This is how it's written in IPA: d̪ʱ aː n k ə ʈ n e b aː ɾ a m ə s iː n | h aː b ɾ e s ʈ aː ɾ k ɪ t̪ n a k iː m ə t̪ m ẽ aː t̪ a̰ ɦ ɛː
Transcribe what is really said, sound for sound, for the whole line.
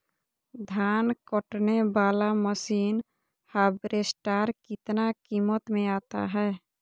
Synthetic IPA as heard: d̪ʱ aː n k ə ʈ n e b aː l a m ə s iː n | h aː b ɾ e s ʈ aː ɾ k ɪ t̪ n a k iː m ə t̪ m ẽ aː t̪ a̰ ɦ ɛː